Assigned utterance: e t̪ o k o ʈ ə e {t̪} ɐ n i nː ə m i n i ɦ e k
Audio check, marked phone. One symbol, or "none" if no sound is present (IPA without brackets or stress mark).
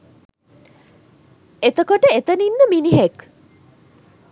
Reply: t̪